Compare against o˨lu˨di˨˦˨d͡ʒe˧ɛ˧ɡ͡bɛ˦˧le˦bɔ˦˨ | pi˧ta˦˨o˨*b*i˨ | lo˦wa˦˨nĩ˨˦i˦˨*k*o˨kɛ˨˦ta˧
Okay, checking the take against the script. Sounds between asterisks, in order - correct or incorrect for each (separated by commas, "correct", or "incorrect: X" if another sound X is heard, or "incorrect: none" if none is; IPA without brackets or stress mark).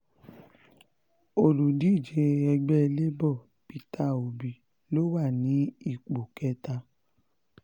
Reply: correct, incorrect: k͡p